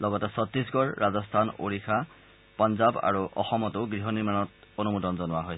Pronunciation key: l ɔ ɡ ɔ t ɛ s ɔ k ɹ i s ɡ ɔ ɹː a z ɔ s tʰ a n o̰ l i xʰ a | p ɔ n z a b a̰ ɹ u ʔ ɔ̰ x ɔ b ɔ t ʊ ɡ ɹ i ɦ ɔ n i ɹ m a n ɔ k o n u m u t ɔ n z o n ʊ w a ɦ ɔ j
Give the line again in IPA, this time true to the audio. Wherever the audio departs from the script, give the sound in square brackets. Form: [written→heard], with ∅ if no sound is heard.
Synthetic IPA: l ɔ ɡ ɔ t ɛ s ɔ [k→t] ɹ i s ɡ ɔ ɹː a z ɔ s tʰ a n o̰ [l→ɹ] i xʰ a | p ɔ n z a b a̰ ɹ u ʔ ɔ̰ x ɔ [b→m] ɔ t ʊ ɡ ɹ i ɦ ɔ n i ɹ m a n ɔ [k→t] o n u m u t ɔ n z [o→ɔ] n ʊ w a ɦ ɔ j